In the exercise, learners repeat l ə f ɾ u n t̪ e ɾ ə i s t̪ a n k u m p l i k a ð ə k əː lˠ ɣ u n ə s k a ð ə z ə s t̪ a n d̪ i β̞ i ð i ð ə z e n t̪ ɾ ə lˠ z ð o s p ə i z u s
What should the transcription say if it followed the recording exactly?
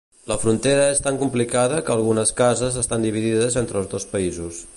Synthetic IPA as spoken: l ə f ɾ u n t̪ e ɾ ə e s t̪ a ŋ k u m p l i k a ð ə k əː lˠ ɣ u n ə s k a z ə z ə s t̪ a n d̪ i β̞ i ð i ð ə z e n t̪ ɾ ə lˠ z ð o s p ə i z u s